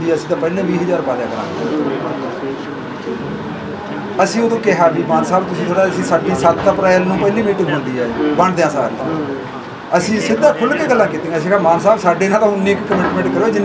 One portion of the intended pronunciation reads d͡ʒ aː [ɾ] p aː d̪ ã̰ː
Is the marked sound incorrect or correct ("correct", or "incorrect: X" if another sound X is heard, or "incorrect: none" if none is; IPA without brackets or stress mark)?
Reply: correct